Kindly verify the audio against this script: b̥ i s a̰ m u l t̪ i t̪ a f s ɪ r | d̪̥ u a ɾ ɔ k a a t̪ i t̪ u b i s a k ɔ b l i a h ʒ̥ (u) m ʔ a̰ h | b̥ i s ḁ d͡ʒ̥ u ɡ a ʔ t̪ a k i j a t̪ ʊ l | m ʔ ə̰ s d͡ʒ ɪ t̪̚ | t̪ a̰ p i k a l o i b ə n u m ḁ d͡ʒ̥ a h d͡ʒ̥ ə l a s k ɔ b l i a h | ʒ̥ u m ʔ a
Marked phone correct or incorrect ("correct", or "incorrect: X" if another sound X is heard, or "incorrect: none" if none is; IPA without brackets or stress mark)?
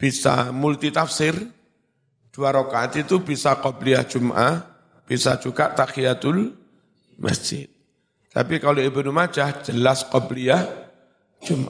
correct